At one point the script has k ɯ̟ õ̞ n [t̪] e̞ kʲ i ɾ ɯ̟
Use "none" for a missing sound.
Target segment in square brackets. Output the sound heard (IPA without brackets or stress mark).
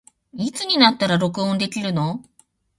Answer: d̪